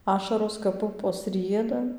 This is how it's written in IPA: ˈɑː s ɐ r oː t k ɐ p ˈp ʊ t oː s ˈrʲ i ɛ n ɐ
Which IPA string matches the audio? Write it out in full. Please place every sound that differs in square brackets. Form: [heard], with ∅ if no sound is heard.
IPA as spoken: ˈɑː [ʃ] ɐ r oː [s] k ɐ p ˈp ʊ [p] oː s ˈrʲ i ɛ [d] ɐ